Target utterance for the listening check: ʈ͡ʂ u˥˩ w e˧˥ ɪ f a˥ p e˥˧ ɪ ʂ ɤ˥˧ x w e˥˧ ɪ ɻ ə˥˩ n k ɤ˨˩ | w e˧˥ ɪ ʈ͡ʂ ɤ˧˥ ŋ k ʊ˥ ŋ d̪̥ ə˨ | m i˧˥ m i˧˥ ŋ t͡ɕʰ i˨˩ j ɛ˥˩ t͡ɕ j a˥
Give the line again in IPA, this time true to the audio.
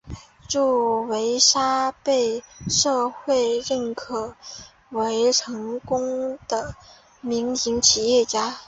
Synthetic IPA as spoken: ʈ͡ʂ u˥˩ w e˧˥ ɪ ʂ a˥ p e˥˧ ɪ ʂ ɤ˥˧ x w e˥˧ ɪ ɻ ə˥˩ n kʰ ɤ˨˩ | w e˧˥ ɪ ʈ͡ʂʰ ɤ˧˥ ŋ k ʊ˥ ŋ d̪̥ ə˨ | m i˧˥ ŋ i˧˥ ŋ t͡ɕʰ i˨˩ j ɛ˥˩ t͡ɕ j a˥